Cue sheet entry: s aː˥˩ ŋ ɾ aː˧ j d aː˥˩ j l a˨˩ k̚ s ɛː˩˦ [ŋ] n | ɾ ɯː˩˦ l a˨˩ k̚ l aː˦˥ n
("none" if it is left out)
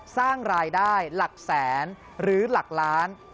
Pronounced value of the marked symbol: none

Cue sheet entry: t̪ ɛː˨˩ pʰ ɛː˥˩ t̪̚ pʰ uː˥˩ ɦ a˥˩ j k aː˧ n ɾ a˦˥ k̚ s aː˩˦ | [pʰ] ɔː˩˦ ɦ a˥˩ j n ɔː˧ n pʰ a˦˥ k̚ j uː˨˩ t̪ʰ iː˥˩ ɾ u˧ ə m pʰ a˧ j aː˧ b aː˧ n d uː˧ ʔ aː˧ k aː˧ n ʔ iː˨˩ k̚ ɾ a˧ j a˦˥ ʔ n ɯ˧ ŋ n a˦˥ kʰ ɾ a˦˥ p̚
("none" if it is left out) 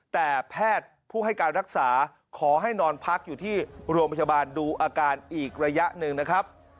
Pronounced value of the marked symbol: kʰ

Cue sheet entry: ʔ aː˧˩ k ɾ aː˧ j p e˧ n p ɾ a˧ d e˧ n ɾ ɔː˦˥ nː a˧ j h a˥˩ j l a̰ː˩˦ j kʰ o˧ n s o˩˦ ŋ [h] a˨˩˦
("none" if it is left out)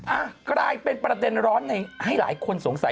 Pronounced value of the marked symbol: s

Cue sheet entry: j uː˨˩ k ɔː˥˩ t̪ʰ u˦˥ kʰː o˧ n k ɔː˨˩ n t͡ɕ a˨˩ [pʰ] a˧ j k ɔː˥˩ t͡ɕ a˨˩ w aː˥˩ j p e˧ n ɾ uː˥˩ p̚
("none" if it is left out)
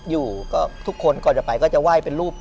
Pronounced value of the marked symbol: p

